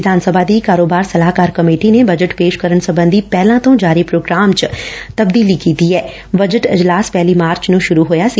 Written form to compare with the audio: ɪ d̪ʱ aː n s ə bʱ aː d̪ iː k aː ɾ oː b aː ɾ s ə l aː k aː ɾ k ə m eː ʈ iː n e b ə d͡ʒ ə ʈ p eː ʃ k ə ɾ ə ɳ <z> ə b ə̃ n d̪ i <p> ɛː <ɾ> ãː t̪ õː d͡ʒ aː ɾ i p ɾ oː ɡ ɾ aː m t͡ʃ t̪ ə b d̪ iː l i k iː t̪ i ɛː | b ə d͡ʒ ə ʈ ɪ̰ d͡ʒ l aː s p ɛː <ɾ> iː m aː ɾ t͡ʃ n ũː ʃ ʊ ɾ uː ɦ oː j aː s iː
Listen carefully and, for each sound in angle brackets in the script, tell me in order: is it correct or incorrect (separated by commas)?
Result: incorrect, correct, incorrect, incorrect